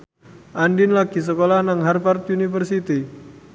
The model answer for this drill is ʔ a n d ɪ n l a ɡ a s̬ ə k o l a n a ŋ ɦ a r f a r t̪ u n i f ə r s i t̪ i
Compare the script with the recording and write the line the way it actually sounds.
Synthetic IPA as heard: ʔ a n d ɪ n l a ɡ i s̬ ə k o l a n a ŋ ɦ a r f a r t̪ u n i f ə r s i t̪ i